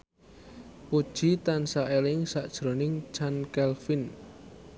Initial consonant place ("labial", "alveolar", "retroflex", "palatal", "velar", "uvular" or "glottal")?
labial